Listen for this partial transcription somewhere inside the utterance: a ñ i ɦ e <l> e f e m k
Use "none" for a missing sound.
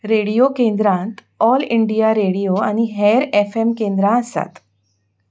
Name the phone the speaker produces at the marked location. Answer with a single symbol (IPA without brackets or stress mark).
ɾ